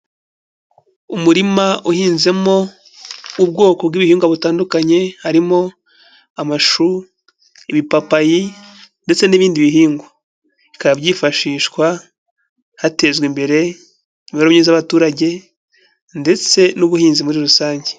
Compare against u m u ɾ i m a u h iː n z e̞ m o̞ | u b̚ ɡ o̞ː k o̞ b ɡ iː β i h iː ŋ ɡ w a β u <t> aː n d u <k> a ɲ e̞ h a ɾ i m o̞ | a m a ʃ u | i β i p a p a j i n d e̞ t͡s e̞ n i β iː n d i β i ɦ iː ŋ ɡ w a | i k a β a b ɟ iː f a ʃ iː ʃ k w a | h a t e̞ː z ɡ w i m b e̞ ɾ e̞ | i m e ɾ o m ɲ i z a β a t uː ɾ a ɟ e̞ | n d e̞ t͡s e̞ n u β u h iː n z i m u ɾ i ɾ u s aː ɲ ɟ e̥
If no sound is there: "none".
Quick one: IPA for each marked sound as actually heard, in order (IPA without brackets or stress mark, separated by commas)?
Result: t, k